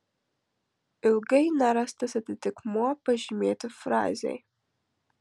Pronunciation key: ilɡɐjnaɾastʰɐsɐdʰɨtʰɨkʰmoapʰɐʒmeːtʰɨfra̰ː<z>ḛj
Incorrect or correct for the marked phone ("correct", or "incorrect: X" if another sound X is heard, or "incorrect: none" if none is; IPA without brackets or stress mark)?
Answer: correct